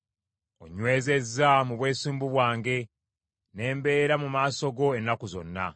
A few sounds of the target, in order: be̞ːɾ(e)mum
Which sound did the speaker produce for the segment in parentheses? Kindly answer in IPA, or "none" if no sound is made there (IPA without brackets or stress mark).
a